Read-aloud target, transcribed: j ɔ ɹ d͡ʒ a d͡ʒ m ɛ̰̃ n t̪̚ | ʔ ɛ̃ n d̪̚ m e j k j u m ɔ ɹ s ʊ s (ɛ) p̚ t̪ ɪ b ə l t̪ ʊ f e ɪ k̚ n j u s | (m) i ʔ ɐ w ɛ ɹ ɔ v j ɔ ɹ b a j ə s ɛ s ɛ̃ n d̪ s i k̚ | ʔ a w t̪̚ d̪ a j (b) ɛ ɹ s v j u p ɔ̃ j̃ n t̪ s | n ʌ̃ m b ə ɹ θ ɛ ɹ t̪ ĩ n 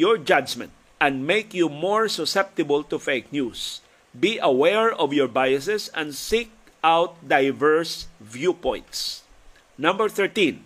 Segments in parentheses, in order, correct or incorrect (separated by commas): correct, incorrect, incorrect